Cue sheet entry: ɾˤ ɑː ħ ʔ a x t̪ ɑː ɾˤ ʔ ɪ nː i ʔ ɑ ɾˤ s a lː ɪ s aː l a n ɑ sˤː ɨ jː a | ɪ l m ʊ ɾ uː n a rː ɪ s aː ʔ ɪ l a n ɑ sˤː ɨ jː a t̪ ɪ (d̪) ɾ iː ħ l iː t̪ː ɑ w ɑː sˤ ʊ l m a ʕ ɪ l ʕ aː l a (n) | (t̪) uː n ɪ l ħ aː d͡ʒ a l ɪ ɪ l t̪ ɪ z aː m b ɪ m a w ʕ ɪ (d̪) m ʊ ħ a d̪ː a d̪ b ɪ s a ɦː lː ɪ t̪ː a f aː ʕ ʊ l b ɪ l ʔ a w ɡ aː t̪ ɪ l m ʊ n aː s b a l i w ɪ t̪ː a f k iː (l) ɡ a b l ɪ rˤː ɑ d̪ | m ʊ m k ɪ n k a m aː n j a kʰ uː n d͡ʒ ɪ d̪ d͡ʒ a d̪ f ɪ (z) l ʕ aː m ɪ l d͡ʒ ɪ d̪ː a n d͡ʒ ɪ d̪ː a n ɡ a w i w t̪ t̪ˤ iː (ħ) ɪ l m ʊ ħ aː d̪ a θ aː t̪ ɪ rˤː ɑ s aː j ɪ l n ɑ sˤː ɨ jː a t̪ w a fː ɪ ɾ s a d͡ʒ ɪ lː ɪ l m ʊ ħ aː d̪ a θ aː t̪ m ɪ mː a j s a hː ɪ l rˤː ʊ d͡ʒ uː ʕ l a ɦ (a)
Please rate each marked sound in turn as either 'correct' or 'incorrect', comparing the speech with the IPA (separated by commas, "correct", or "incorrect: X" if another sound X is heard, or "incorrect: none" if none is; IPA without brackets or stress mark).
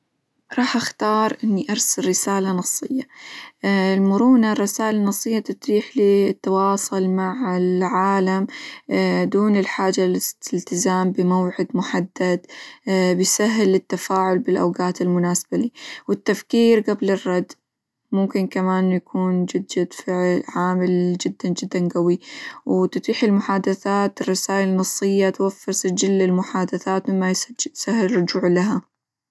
incorrect: t̪, incorrect: m, incorrect: d̪, correct, incorrect: ɾ, incorrect: ʕ, correct, correct